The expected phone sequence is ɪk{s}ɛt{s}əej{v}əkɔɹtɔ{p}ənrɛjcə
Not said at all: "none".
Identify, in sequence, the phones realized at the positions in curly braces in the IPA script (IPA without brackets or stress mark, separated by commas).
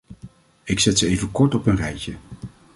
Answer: s, s, v, p